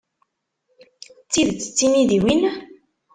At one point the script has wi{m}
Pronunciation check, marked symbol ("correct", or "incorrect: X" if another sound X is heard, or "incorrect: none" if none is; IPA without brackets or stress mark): incorrect: n